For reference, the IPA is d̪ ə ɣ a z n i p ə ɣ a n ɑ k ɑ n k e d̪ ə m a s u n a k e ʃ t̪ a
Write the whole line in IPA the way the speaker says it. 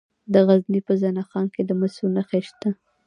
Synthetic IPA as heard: d̪ ə ɣ a z n i p ə z a n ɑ x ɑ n k e d̪ ə m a s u n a x e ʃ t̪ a

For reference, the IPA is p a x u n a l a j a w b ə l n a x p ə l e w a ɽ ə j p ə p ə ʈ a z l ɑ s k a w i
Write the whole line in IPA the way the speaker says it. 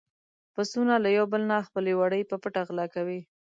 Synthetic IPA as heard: p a s u n a l a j a w b ə l n a x p ə l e w a ɽ ə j p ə p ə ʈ a ɣ l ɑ k a w i

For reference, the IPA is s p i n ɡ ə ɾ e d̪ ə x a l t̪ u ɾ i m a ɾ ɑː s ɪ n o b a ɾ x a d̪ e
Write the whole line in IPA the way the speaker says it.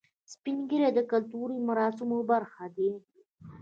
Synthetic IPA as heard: s p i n ɡ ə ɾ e d̪ ə k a l t̪ u ɾ i m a ɾ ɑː s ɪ m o b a ɾ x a d̪ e

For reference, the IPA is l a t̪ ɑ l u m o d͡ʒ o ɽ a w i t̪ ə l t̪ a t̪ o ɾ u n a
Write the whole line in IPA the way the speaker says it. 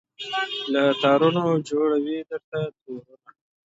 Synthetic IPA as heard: l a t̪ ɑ ɾ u n o d͡ʒ o ɽ a w i d̪ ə ɾ t̪ a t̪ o ɾ u n a

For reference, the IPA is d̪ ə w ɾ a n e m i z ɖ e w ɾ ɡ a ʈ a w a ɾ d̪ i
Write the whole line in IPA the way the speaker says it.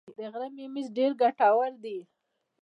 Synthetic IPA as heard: d̪ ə ɣ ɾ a m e m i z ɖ e ɾ ɡ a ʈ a w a ɾ d̪ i

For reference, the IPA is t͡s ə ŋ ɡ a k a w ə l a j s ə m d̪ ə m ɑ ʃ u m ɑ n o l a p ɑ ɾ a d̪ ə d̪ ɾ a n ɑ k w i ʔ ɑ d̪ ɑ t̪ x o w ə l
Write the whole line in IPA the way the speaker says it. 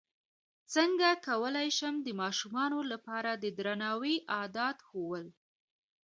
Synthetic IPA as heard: t͡s ə ŋ ɡ a k a w ə l a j ʃ ə m d̪ ə m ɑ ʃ u m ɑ n o l a p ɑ ɾ a d̪ ə d̪ ɾ a n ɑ w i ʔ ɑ d̪ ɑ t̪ x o w ə l

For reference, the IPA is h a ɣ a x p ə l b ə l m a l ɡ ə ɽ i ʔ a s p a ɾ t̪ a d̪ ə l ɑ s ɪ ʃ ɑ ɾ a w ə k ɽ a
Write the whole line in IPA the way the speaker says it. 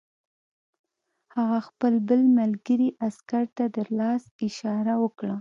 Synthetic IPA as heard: h a ɣ a x p ə l b ə l m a l ɡ ə ɾ i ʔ a s k a ɾ t̪ a d̪ ə l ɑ s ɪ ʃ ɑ ɾ a w ə k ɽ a

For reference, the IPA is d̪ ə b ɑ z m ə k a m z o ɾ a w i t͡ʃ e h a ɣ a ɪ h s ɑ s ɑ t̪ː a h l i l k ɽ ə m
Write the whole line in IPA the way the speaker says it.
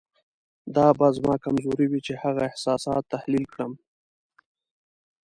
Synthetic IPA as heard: d̪ ɑ b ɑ z m ɑ k a m z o ɾ i w i t͡ʃ e h a ɣ a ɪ h s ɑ s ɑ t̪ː a h l i l k ɽ ə m

